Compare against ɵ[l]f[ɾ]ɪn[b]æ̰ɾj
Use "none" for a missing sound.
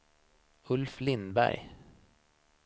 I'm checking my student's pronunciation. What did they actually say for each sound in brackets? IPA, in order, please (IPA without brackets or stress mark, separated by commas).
l, l, b